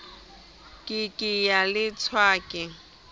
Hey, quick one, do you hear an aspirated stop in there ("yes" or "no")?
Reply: yes